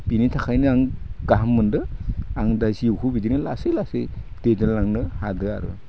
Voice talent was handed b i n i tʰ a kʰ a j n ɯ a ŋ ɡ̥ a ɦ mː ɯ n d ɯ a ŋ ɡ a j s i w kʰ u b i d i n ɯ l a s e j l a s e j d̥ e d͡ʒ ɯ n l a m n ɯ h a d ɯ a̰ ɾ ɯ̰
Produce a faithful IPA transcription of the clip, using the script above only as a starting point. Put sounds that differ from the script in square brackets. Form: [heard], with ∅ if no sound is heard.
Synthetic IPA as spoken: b i n i tʰ a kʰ a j n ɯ a ŋ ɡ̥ a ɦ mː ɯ n d ɯ a ŋ [d] a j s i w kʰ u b i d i n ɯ l a s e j l a s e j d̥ e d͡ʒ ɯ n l a [ŋ] n ɯ h a d ɯ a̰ ɾ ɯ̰